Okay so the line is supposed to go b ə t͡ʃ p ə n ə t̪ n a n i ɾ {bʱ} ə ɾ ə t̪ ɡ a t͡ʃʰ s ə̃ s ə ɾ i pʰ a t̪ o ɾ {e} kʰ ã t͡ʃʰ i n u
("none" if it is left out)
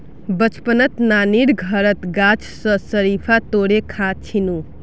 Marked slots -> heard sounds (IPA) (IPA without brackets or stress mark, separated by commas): ɡʱ, e